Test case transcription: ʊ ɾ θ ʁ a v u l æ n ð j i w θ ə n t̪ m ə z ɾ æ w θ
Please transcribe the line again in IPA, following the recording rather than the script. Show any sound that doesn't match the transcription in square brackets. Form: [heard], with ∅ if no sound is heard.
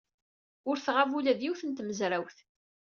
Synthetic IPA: ʊ ɾ θ ʁ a v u l æ [∅] ð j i w θ ə n t̪ m ə z ɾ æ w θ